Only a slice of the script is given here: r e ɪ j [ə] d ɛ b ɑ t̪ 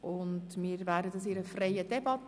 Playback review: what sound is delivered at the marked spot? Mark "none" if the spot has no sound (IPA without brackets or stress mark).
ə